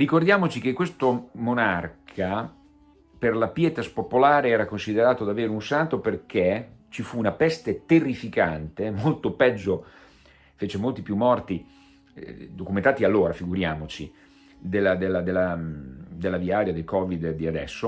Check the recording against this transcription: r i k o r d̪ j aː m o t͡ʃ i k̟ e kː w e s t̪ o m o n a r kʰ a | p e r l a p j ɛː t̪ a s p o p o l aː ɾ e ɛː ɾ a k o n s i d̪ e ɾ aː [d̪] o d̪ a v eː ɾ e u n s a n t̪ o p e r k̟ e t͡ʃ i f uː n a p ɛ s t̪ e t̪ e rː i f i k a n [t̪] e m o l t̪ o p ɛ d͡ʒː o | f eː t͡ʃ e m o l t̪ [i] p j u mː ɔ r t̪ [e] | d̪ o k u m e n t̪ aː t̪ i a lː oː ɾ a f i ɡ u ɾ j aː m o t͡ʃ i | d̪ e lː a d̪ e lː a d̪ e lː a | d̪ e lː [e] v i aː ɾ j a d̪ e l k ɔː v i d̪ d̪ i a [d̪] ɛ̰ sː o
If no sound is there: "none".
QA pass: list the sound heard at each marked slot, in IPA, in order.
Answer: t̪, t̪, i, i, a, d̪

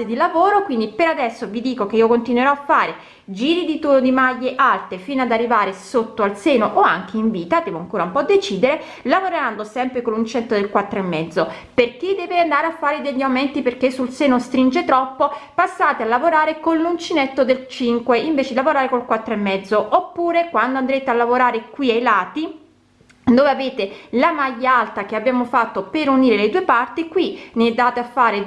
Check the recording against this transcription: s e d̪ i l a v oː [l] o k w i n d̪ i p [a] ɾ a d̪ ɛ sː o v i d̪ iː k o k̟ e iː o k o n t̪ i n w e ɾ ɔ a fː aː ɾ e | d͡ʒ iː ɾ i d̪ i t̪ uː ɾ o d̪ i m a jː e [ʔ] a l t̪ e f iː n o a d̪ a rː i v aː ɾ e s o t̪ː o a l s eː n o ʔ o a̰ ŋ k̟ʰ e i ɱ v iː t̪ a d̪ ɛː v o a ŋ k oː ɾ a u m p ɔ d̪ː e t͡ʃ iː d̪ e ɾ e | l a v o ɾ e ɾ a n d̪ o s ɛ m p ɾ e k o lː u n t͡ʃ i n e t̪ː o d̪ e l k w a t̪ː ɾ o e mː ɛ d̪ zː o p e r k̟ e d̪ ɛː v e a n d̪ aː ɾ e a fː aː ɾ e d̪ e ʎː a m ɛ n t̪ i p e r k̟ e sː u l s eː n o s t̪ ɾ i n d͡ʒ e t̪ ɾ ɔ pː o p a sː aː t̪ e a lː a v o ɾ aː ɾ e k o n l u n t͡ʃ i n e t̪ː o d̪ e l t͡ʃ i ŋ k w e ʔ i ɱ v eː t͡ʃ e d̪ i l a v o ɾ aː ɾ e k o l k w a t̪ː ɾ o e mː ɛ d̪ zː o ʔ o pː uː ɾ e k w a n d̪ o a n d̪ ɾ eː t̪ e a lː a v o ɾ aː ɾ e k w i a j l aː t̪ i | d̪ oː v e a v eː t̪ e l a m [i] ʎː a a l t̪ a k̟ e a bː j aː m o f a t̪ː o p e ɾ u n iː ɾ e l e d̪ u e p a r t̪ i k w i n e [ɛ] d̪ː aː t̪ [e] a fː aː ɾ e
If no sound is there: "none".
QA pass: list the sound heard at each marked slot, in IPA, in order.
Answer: ɾ, e, ʔ, a, ɛ, e

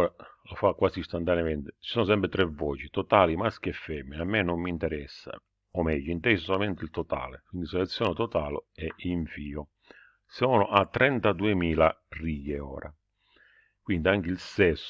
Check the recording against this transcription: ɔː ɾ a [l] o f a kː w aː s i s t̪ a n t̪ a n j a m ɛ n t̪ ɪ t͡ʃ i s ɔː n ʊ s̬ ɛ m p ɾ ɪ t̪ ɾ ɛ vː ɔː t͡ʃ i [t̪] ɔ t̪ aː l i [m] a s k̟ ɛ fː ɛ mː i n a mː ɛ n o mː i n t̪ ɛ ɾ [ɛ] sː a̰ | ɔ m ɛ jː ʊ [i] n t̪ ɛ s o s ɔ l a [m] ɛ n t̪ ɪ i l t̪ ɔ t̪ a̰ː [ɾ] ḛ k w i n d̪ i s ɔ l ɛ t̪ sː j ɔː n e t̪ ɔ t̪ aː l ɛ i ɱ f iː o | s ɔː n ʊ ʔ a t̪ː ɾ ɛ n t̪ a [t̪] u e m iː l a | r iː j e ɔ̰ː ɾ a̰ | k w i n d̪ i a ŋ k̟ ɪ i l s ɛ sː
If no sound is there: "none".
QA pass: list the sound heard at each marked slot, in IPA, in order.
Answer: l, t̪, m, ɛ, i, m, l, d̪

